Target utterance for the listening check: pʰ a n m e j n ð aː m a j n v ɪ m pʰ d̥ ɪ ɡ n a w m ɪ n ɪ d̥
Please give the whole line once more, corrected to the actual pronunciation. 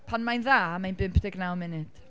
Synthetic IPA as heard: pʰ a n m a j n ð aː m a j n b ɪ m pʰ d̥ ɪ ɡ n a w m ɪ n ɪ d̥